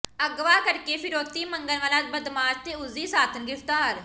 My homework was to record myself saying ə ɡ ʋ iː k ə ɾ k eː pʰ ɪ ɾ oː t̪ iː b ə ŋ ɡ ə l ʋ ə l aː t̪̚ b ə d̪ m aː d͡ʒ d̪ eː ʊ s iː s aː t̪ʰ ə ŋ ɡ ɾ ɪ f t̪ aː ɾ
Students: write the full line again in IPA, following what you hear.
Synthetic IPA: ə ɡ ʋ aː k ə ɾ k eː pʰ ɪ ɾ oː t̪ iː m ə ŋ ɡ ə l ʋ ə l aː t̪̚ b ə d̪ m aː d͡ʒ t̪ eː ʊ z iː s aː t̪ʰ ə n ɡ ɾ ɪ f t̪ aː ɾ